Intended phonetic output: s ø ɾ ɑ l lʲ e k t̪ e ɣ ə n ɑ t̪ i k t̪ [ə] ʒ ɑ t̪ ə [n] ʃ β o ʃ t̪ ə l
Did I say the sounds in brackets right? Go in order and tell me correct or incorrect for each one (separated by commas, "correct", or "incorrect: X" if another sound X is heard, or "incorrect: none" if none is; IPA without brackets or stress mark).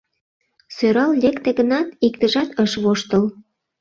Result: correct, incorrect: none